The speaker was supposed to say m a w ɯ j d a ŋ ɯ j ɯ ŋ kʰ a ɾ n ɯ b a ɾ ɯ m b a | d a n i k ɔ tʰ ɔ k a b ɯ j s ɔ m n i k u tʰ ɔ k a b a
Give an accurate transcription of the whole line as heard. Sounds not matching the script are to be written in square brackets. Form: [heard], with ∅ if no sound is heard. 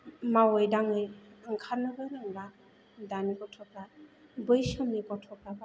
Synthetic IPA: m a w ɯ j d a ŋ ɯ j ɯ ŋ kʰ a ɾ n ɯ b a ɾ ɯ [ŋ] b a | d a n i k ɔ tʰ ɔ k a b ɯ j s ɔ m n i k [ɔ] tʰ ɔ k a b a